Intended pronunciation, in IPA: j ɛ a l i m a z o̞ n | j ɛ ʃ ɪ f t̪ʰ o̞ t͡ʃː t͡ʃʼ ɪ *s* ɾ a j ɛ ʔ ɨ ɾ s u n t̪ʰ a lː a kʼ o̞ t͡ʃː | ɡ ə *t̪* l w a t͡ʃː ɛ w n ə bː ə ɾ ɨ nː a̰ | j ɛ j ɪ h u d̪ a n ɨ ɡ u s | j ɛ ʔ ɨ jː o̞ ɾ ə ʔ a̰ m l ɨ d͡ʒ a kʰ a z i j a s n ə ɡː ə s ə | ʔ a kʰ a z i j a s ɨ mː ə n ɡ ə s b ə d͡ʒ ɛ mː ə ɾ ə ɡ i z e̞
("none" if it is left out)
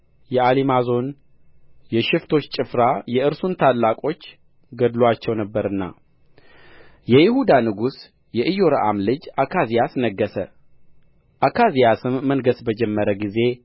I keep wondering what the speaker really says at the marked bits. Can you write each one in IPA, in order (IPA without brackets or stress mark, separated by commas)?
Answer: f, d̪